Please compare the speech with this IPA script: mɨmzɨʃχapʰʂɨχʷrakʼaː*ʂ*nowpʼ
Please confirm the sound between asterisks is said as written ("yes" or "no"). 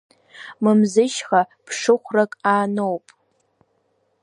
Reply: no